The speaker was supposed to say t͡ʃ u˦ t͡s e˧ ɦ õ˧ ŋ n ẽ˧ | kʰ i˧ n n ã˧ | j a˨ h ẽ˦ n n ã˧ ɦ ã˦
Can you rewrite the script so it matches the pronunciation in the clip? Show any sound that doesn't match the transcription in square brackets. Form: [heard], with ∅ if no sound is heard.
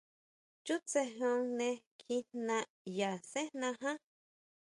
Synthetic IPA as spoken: t͡ʃ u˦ t͡s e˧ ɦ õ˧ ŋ n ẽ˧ | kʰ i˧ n n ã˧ | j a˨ [s] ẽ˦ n n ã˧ ɦ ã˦